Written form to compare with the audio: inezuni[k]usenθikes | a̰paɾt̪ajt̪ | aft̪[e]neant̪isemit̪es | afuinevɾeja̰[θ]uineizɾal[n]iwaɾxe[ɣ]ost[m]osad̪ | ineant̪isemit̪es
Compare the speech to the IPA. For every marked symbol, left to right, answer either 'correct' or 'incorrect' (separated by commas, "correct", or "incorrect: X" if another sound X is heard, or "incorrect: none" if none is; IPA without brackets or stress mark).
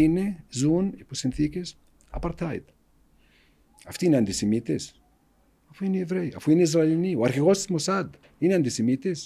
incorrect: p, incorrect: i, incorrect: f, correct, correct, correct